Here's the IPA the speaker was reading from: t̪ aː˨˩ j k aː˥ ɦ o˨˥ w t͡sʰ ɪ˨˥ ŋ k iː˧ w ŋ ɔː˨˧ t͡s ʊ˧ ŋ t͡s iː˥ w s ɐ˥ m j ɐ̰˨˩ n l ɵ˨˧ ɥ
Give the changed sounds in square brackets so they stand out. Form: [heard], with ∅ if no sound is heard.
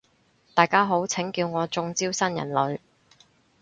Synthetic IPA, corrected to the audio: t̪ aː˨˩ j k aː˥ ɦ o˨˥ w t͡sʰ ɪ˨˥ ŋ k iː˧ w ŋ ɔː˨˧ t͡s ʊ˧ ŋ t͡s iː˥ w s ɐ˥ [n] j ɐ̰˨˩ n l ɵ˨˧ ɥ